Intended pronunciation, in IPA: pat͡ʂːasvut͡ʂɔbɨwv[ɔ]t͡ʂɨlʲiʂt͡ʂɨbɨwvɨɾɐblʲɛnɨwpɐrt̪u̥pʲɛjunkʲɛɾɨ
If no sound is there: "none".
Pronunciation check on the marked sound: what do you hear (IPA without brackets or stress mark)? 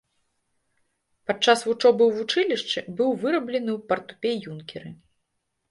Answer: u